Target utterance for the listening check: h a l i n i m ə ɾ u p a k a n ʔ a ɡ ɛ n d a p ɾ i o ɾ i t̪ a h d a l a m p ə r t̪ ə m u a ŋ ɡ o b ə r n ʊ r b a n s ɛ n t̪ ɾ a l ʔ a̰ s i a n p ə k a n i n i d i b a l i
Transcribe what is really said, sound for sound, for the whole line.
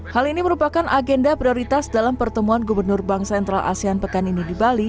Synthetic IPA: h a l i n i m ə ɾ u p a k a n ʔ a ɡ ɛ n d a p ɾ i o ɾ i t̪ a s d a l a m p ə r t̪ ə m u a n ɡ u b ə r n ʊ r b a ŋ s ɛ n t̪ ɾ a l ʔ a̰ s i a n p ə k a n i n i d i b a l i